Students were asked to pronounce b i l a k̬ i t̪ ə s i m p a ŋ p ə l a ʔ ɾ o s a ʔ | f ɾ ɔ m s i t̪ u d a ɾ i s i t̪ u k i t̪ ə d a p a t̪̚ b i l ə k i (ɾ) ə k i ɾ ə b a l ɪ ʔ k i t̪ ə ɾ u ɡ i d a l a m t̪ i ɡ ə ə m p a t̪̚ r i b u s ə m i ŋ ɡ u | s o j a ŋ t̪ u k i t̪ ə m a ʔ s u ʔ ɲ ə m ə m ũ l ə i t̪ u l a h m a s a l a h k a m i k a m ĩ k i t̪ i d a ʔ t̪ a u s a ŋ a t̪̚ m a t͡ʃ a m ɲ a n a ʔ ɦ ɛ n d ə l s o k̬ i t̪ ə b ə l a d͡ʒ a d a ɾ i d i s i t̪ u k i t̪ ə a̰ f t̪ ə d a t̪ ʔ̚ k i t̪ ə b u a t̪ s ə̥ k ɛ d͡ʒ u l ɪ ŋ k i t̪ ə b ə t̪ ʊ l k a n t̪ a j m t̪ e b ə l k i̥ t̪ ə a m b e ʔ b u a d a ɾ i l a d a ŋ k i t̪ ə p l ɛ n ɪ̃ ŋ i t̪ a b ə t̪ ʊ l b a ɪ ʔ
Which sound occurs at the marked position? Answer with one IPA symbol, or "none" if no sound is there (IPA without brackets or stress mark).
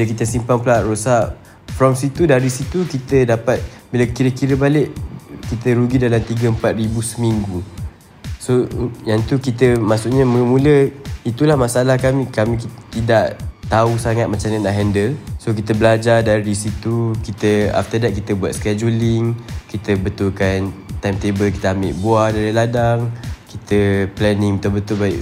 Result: ɾ